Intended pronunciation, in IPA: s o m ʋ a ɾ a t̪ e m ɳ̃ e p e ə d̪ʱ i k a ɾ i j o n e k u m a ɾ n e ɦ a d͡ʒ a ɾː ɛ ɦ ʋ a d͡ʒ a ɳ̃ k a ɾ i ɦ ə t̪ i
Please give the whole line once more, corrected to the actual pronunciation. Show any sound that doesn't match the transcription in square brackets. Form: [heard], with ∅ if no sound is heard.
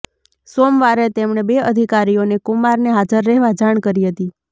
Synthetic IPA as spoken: s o m ʋ a ɾ [e] t̪ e m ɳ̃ e [b] e ə d̪ʱ i k a ɾ i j o n e k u m a ɾ n e ɦ a d͡ʒ [ə] ɾː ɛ ɦ ʋ a d͡ʒ a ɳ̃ k [ə] ɾ i ɦ ə t̪ i